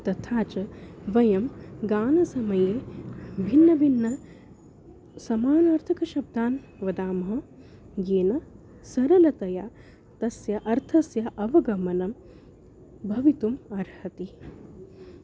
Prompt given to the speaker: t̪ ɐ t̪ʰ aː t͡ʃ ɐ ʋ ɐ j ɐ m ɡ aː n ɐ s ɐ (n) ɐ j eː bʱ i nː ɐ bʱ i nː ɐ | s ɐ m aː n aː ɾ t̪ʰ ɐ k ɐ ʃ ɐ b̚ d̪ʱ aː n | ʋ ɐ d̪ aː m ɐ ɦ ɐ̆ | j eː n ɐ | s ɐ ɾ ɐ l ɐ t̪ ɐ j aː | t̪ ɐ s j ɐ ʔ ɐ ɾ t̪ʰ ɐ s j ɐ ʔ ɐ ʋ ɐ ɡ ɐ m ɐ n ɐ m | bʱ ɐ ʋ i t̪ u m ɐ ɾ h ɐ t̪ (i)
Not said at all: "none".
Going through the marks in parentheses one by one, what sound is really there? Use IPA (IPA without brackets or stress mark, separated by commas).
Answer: m, i